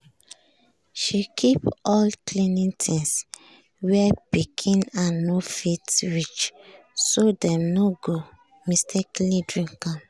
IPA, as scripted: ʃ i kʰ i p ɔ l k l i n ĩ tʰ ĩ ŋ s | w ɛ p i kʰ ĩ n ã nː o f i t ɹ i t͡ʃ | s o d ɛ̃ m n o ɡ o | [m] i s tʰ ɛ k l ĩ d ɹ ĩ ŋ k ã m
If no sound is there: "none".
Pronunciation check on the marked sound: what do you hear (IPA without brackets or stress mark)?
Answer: m